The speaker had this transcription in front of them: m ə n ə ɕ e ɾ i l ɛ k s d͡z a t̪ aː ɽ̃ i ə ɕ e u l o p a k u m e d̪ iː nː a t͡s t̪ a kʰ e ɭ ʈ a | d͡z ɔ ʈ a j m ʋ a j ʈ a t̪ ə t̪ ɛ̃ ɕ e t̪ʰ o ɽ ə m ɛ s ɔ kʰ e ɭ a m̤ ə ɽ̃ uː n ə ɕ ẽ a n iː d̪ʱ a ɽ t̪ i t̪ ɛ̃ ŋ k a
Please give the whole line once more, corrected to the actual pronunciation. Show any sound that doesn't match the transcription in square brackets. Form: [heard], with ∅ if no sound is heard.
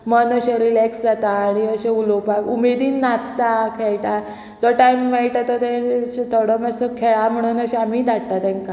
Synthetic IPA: m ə n ə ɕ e ɾ i l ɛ k s d͡z a t̪ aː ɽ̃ i ə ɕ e u l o p a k u m e d̪ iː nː a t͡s t̪ a kʰ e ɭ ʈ a | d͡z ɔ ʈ a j m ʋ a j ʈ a t̪ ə t̪ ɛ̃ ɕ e t̪ʰ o ɽ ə m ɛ s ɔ kʰ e ɭ a m̤ ə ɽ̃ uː n ə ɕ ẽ a [m] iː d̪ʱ a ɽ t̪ [a] t̪ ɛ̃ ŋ k a